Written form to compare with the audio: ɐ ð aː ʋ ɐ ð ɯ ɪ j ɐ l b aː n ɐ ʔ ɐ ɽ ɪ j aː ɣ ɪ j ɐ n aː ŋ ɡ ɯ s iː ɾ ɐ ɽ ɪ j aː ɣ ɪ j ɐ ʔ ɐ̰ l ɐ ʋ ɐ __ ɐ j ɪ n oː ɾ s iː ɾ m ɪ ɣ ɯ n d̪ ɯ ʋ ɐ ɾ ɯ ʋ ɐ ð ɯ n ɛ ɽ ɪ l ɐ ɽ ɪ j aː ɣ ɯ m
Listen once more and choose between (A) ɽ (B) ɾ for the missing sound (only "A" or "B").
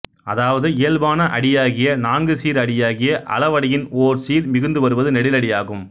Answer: A